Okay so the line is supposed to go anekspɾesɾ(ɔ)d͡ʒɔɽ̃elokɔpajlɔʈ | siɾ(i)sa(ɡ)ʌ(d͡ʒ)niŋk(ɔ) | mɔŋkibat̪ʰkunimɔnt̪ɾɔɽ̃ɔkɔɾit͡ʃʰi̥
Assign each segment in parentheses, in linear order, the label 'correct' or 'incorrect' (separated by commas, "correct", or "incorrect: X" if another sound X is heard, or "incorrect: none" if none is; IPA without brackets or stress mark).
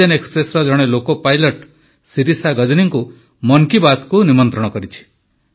correct, correct, correct, correct, incorrect: u